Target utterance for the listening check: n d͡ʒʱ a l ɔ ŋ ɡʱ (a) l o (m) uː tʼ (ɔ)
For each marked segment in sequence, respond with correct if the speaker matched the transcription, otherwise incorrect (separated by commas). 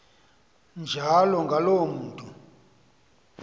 correct, correct, incorrect